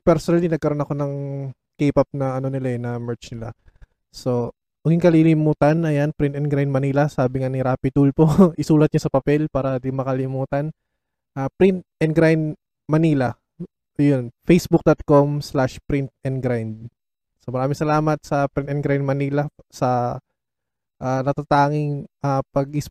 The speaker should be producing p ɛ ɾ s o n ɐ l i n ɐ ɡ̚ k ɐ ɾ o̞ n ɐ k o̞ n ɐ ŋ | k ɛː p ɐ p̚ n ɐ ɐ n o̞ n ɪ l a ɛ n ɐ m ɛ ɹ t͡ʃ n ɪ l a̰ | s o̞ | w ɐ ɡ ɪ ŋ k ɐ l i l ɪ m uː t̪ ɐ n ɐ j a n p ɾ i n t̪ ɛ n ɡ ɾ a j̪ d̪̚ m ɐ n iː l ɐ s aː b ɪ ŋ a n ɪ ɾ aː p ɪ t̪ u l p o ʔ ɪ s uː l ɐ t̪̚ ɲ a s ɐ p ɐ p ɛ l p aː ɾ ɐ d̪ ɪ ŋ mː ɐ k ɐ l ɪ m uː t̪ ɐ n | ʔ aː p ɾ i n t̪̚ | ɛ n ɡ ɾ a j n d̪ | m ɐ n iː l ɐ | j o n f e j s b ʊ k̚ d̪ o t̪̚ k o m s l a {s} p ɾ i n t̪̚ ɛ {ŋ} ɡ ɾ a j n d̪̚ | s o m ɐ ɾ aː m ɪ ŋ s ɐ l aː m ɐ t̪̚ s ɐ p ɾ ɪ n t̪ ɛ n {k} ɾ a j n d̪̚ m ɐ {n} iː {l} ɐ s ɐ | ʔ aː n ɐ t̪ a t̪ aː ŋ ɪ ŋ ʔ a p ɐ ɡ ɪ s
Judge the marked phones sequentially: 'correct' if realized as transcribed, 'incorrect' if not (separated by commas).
incorrect, incorrect, incorrect, correct, correct